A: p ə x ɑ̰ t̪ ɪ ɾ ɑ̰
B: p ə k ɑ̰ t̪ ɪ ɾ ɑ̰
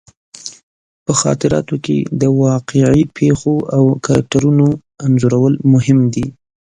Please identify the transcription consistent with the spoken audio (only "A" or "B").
A